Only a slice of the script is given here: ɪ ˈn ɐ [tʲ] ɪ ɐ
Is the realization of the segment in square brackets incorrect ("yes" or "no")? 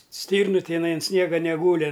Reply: yes